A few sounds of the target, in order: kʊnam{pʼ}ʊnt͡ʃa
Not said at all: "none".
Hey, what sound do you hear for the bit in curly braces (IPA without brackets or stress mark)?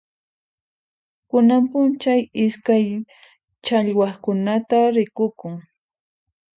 p